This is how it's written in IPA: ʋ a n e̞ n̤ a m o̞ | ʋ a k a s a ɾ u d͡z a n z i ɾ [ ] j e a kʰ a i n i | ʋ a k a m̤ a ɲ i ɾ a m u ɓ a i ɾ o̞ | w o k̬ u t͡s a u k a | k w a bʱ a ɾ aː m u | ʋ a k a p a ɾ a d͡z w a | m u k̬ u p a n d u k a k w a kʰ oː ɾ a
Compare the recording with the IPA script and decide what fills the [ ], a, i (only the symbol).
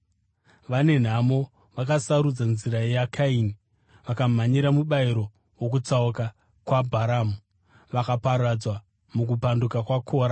a